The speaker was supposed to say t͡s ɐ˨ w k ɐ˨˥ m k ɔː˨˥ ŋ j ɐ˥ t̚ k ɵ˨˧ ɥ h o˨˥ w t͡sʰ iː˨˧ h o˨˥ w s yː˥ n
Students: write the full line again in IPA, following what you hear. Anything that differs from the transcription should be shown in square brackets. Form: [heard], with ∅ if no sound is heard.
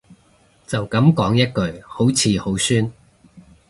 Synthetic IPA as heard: t͡s ɐ˨ w k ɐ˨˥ m k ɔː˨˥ ŋ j ɐ˥ t̚ k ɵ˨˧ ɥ h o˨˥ w t͡sʰ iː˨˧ h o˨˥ w s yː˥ n